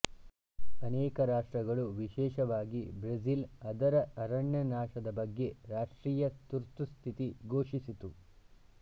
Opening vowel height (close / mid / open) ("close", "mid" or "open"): open